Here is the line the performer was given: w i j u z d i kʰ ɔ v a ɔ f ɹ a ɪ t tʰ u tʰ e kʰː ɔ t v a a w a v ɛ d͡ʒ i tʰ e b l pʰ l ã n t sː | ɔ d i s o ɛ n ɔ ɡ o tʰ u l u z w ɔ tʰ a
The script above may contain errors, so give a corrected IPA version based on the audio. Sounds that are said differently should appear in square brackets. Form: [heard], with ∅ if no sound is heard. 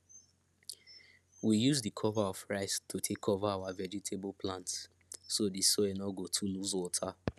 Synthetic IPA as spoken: w i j u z d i kʰ ɔ v a ɔ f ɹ a ɪ [s] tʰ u tʰ e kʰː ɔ [∅] v a a w a v ɛ d͡ʒ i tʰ e b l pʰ l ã n t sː | [o] d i s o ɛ n ɔ ɡ o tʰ u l u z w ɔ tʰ a